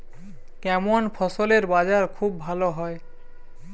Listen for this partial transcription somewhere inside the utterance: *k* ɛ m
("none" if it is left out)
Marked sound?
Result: k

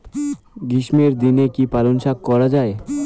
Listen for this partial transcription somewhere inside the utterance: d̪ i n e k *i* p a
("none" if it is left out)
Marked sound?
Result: i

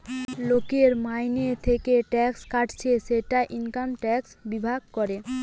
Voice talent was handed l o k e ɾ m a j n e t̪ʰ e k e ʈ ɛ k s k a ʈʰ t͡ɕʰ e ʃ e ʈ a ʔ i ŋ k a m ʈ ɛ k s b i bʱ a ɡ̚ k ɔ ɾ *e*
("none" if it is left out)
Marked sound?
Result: e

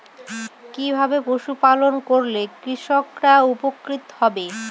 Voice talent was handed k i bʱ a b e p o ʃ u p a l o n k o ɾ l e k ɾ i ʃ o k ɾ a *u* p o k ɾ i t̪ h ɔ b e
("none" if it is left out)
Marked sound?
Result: u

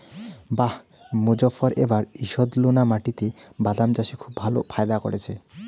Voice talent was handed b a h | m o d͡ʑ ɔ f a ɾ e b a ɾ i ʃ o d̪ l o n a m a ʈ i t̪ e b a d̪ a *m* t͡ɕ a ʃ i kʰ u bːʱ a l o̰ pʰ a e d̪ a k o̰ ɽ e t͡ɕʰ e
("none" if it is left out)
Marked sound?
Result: m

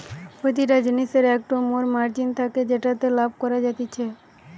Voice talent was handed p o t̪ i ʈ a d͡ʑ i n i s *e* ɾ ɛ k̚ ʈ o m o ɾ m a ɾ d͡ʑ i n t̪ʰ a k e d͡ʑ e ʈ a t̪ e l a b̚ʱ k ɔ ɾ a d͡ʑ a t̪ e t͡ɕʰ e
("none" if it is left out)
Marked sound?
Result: e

